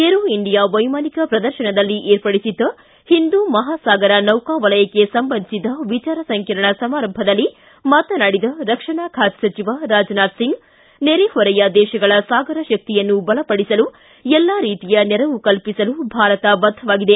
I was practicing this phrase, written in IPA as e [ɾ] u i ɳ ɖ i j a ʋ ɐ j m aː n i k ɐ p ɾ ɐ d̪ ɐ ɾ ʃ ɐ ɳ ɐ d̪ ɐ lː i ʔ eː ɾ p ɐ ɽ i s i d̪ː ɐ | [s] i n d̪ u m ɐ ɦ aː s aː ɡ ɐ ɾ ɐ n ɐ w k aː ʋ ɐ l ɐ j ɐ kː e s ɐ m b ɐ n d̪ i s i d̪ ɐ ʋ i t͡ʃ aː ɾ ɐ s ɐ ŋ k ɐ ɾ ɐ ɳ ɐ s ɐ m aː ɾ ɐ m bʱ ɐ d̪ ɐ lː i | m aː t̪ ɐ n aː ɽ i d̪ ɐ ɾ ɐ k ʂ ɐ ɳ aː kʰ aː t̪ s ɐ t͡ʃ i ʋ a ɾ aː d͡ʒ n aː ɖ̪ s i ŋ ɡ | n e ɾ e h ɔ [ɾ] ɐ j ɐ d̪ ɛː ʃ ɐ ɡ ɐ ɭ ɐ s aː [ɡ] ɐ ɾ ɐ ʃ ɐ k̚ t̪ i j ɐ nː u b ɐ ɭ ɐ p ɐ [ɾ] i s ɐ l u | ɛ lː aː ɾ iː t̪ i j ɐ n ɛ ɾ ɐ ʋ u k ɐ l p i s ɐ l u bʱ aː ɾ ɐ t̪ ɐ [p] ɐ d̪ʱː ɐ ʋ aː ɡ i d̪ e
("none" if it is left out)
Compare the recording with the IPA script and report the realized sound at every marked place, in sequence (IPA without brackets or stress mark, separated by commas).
ɾ, h, ɾ, ɡ, ɽ, b